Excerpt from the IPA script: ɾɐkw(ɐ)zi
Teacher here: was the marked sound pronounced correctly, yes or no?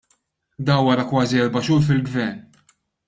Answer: no